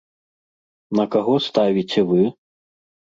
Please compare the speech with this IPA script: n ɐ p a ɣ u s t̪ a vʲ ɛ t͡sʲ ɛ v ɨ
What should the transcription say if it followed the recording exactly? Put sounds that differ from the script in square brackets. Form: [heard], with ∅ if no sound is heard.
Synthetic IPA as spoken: n ɐ [k] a ɣ [ɔ] s t̪ a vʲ [i] t͡sʲ ɛ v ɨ